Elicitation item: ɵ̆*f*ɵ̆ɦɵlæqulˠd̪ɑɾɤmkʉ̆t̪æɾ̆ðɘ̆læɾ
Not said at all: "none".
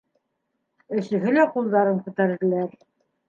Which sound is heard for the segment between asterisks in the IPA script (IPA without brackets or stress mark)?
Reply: s